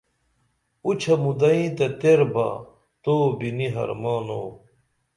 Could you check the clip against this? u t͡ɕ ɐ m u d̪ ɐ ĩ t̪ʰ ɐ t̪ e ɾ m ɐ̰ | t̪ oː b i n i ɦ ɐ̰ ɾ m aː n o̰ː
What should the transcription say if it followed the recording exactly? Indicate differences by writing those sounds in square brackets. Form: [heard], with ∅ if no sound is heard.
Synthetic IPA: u [t͡ɕʰ] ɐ m u d̪ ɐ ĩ [t̪] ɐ t̪ e ɾ [b] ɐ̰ | t̪ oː b i n i ɦ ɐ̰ ɾ m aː n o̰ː